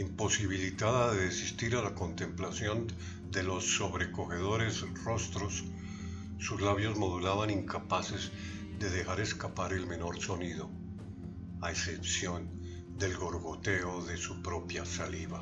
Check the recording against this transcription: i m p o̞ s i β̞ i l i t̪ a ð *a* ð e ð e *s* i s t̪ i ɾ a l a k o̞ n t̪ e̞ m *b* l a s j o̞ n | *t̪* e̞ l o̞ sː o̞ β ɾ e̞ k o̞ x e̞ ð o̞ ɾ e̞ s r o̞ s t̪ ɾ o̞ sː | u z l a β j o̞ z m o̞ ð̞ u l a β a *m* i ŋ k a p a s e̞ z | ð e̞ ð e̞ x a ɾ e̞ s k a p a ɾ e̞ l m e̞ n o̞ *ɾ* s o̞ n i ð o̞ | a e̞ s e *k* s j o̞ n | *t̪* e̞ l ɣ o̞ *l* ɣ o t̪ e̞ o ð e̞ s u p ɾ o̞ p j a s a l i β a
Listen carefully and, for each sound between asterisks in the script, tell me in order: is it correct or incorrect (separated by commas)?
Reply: correct, correct, incorrect, incorrect, incorrect, correct, incorrect, incorrect, incorrect